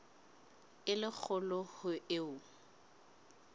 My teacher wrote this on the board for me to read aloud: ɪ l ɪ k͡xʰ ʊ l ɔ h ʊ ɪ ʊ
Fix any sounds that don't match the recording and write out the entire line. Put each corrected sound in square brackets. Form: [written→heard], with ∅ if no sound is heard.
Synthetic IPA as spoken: ɪ l ɪ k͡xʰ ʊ l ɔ h ʊ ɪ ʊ